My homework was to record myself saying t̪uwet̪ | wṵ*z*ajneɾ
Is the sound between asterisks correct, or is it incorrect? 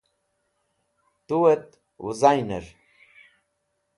correct